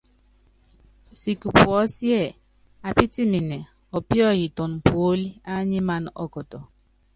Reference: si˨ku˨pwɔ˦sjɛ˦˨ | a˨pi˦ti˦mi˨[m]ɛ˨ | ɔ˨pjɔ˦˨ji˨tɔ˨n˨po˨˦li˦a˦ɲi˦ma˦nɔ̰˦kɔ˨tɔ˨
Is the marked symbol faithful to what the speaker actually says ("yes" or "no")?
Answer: no